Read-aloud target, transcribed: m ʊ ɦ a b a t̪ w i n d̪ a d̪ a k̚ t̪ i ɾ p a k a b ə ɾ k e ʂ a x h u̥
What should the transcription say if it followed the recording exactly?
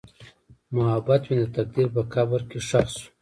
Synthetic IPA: m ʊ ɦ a b a t̪ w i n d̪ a t̪ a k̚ d̪ i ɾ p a k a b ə ɾ k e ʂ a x s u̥